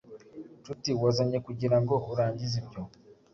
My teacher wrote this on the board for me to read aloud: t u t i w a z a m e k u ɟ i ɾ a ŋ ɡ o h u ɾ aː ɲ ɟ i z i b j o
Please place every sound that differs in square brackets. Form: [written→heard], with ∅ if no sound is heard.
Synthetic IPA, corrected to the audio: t u t i w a z a [m→ɲ] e k u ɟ i ɾ a ŋ ɡ o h u ɾ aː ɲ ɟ i z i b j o